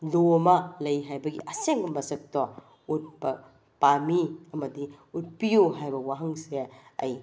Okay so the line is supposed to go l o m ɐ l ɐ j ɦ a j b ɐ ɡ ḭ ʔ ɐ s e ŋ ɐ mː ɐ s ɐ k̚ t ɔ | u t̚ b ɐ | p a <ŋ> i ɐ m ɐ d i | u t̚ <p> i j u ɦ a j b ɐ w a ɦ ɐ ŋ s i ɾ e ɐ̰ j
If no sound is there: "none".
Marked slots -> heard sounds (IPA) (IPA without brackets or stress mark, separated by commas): m, p